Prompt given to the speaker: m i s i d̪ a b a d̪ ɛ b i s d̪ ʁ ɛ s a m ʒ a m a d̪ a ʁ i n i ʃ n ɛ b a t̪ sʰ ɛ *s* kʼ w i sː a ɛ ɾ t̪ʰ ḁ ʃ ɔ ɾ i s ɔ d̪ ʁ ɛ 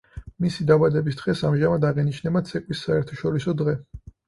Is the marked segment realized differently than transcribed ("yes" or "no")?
yes